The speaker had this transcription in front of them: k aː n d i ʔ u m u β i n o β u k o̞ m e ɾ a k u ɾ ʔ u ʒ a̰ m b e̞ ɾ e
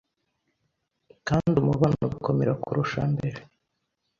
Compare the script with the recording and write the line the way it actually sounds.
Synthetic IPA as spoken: k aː n d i u m u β a n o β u k o̞ m e ɾ a k u ɾ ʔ u ʃ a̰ m b e̞ ɾ e